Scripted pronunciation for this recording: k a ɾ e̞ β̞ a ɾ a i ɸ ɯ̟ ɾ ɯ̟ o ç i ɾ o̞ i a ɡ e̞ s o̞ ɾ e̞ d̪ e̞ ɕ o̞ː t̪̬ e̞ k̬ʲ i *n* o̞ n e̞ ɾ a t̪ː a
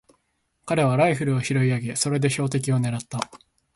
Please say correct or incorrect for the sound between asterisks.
incorrect